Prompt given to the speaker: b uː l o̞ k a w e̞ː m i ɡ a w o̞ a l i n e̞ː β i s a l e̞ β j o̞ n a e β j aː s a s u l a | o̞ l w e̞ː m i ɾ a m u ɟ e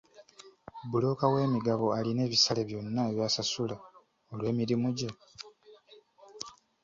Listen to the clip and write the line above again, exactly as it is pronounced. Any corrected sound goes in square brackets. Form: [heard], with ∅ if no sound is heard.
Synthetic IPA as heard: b [u] l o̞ k a w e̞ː m i ɡ a [β] o̞ a l i n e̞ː β i s a l e̞ β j o̞ [nː] a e β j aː s a s u l a | o̞ l w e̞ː m i ɾ [i] m u ɟ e